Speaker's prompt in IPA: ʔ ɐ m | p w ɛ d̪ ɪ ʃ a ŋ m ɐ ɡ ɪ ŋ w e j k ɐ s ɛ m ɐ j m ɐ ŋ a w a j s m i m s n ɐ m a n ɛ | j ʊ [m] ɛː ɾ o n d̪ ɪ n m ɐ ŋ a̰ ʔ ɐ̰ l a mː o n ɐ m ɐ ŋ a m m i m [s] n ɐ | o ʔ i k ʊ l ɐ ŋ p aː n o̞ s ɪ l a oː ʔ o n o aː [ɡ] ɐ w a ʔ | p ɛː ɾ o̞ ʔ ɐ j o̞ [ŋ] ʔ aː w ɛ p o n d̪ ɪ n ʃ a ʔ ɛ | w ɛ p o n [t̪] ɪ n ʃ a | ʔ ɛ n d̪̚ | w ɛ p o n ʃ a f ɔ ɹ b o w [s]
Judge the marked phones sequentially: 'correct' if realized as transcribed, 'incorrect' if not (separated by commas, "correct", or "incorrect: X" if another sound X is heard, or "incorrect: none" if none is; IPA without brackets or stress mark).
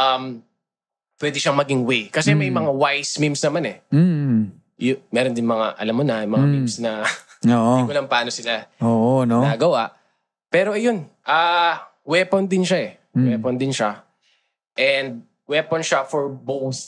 correct, correct, correct, incorrect: n, incorrect: d̪, incorrect: θ